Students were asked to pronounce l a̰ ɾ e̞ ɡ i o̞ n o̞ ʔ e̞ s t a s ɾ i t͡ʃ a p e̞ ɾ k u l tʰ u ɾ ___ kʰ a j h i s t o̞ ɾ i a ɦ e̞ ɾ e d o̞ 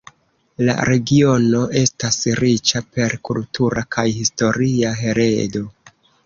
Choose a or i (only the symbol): a